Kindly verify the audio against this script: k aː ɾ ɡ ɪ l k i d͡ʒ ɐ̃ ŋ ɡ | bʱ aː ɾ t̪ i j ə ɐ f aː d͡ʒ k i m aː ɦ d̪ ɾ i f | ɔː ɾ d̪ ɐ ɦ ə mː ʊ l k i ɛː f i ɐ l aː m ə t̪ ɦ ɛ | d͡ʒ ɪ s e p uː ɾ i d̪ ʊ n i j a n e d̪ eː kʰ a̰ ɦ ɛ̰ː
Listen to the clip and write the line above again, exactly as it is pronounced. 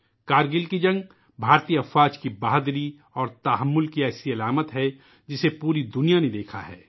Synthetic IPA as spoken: k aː ɾ ɡ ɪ l k i d͡ʒ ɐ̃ ŋ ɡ | bʱ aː ɾ t̪ i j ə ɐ f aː d͡ʒ k i b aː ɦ d̪ ɾ i | ɔː ɾ t̪ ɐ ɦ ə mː ʊ l k i ɛː s i ɐ l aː m ə t̪ ɦ ɛ | d͡ʒ ɪ s e p uː ɾ i d̪ ʊ n i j a n e d̪ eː kʰ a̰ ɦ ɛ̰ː

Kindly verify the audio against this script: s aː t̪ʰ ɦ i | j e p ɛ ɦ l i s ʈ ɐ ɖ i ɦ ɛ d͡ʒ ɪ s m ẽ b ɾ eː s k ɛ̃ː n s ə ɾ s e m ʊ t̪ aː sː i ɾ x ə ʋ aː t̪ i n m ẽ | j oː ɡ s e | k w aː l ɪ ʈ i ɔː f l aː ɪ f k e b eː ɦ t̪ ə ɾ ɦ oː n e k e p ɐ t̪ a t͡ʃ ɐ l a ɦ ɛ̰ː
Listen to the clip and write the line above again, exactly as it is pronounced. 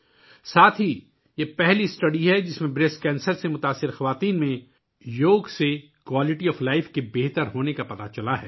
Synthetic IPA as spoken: s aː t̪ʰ ɦ i | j e p ɛ ɦ l i s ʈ ɐ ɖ i ɦ ɛ d͡ʒ ɪ s m ẽ b ɾ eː s k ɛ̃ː n s ə ɾ s e m ʊ t̪ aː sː ɪ ɾ x ɐ ʋ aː t̪ iː n m ẽ | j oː ɡ s e | k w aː l ɪ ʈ i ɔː f l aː ɪ f k e b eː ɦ t̪ ə ɾ ɦ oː n e k a p ɐ t̪ a t͡ʃ ɐ l a ɦ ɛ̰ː

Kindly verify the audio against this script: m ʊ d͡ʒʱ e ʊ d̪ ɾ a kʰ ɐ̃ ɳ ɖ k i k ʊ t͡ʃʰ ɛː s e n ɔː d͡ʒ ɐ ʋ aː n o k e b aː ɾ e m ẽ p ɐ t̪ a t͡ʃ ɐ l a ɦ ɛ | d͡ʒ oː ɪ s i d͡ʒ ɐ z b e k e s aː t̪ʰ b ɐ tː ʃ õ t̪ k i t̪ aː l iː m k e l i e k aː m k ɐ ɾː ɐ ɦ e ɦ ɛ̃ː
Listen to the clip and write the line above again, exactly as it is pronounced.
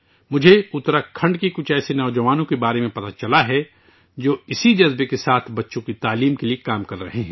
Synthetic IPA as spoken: m ʊ d͡ʒʱ e ʊ t̪ ɾ a kʰ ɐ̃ ɳ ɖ k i k ʊ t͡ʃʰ ɛː s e n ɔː d͡ʒ ɐ ʋ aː n õ k e b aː ɾ e m ẽ p ɐ t̪ a t͡ʃ ɐ l a ɦ ɛ | d͡ʒ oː ɪ s i d͡ʒ ɐ z b e k e s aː t̪ʰ b ɐ tː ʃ õ k i t̪ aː l iː m k e l i e k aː m k ɐ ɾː ɐ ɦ e ɦ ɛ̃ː

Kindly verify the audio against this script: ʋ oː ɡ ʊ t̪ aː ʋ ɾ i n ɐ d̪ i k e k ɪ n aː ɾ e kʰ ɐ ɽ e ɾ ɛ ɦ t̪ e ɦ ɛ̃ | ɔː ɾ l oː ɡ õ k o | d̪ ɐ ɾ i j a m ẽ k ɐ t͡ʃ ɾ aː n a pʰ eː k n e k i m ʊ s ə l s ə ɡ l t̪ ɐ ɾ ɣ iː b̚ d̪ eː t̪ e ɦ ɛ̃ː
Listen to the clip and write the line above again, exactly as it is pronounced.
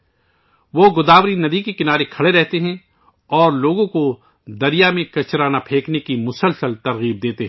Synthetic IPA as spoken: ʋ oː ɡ ʊ d̪ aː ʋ ɾ i n ɐ d̪ i k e k ɪ n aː ɾ e kʰ ɐ ɽ e ɾ ɛ ɦ t̪ e ɦ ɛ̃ | ɔː ɾ l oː ɡ õ k o | d̪ ɐ ɾ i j a m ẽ k ɐ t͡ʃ ɾ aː n a pʰ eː k n e k i m ʊ s ə l s ə l t̪ ɐ ɾ ɣ iː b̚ d̪ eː t̪ e ɦ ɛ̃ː

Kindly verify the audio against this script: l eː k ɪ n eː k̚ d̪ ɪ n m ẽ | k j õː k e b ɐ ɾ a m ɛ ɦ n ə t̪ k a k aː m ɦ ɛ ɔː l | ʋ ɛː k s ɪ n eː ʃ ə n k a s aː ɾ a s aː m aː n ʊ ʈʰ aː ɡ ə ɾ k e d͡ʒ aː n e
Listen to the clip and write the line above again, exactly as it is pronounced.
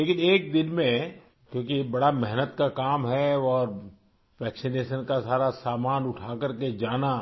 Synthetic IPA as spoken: l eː k ɪ n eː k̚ d̪ ɪ n m ẽ | k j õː k i b ɐ ɽ a m ɛ ɦ n ə t̪ k a k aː m ɦ ɛ ɔː ɾ | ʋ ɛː k s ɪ n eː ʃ ə n k a s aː ɾ a s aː m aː n ʊ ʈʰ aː k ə ɾ k e d͡ʒ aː n a

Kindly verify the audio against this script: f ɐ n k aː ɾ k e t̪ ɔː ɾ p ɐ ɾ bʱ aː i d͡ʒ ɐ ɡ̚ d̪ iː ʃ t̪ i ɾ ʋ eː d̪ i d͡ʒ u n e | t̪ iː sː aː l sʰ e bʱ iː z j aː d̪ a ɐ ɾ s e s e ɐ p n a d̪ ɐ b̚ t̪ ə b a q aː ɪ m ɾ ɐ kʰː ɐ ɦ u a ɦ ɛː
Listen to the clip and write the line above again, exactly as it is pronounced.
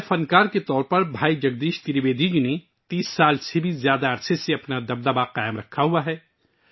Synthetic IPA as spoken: f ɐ n k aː ɾ k e t̪ ɔː ɾ p ɐ ɾ bʱ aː i d͡ʒ ɐ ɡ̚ d̪ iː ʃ t̪ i ɾ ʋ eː d̪ i d͡ʒ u n e | t̪ iː sː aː l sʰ e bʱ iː z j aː d̪ a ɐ ɾ s e s e ɐ p n a d̪ ɐ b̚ d̪ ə b a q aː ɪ m ɾ ɐ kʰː a ɦ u a ɦ ɛː

